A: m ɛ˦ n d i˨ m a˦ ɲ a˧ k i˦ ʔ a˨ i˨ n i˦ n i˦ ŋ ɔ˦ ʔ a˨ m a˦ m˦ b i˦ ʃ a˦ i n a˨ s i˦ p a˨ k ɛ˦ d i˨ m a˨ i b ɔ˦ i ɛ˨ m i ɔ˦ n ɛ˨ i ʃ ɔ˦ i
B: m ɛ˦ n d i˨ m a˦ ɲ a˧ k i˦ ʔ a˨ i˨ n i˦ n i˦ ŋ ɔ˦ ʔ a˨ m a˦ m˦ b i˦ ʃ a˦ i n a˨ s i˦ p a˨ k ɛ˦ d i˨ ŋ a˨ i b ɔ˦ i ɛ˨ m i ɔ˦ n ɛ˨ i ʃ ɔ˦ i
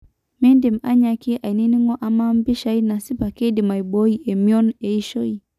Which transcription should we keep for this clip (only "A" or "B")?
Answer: A